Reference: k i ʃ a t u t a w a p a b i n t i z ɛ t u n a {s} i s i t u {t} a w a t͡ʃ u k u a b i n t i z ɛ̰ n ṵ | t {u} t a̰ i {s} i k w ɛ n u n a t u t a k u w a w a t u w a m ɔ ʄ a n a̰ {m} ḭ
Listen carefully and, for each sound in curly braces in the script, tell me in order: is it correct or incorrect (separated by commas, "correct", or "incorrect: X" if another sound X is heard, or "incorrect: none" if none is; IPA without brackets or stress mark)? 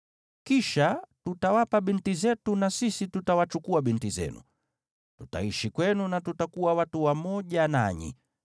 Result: correct, correct, correct, incorrect: ʃ, incorrect: ɲ